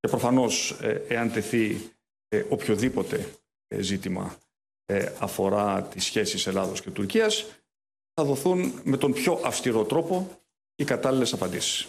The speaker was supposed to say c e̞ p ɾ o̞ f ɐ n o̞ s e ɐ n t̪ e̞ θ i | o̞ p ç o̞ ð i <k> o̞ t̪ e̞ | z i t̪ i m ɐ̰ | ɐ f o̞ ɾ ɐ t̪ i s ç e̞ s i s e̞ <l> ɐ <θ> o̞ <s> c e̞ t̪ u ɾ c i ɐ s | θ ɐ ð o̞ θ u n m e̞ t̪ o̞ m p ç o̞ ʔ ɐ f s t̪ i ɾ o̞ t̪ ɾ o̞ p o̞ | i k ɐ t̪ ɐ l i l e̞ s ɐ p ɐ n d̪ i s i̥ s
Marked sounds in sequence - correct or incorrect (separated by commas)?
incorrect, correct, incorrect, correct